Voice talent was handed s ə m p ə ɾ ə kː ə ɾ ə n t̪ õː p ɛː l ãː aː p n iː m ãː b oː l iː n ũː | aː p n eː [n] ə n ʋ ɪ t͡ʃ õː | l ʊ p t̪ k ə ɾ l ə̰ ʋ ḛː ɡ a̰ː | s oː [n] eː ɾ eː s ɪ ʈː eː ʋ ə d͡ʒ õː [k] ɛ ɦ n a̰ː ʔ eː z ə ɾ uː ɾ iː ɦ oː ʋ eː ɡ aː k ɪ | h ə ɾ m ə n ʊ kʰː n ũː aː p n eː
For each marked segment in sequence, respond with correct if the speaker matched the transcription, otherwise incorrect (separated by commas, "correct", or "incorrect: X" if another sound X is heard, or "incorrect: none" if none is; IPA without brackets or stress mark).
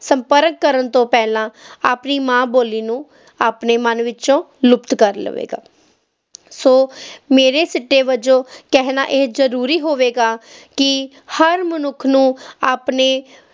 incorrect: m, incorrect: m, correct